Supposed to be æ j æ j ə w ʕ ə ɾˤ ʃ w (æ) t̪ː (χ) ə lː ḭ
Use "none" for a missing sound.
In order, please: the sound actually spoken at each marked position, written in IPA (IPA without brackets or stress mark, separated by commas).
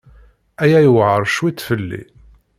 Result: i, f